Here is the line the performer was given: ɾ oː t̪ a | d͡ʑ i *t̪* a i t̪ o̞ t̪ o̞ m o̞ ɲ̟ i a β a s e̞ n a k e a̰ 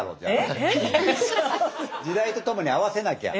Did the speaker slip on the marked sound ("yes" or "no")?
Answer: yes